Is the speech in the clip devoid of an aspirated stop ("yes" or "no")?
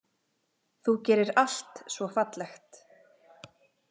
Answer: yes